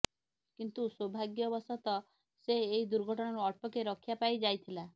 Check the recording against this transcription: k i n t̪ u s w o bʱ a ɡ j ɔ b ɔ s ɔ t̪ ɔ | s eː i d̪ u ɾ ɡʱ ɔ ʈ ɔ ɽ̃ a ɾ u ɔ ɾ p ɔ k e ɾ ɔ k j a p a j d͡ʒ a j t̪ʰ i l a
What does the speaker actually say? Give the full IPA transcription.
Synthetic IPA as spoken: k i n t̪ u s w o bʱ a ɡ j ɔ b ɔ s ɔ t̪ ɔ | s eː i d̪ u ɾ ɡʱ ɔ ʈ ɔ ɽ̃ a ɾ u ɔ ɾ p ɔ k e ɾ ɔ kʰ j a p a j d͡ʒ a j t̪ʰ i l a